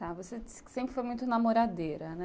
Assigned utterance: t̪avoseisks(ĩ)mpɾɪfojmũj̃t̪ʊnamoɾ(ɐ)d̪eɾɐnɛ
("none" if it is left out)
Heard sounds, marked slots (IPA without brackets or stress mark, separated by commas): ẽ, a